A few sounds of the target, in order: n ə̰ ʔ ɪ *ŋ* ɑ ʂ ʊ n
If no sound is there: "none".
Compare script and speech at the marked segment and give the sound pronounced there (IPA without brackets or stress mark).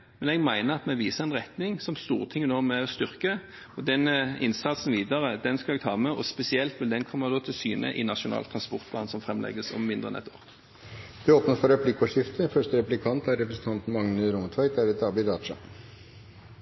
n